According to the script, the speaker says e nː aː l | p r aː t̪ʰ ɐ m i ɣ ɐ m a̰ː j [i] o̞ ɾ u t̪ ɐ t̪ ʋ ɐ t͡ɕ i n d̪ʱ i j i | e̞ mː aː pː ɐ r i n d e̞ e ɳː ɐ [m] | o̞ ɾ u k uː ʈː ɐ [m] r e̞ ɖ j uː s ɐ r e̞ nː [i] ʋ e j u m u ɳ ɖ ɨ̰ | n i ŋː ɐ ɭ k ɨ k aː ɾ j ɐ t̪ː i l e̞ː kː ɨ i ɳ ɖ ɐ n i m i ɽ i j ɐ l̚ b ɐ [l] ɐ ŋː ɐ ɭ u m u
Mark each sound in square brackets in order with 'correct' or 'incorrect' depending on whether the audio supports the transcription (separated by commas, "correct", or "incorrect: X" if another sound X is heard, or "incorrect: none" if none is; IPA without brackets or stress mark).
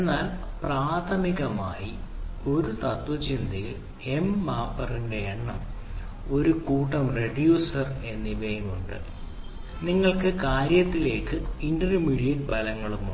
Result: correct, correct, correct, correct, correct